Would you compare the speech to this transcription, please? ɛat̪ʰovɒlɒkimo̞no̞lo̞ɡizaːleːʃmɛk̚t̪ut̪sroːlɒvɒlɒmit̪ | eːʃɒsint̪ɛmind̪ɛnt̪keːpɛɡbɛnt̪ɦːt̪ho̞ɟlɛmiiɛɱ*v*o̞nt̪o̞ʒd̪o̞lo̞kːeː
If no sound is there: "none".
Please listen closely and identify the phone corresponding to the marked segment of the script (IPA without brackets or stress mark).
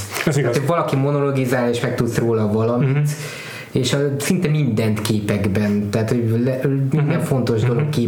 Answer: f